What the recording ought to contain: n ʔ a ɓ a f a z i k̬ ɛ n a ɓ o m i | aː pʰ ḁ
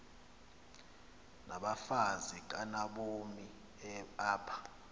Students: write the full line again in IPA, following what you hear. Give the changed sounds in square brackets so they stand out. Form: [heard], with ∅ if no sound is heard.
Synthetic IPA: n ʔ a ɓ a f a z i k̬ [a] n a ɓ o m i | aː pʰ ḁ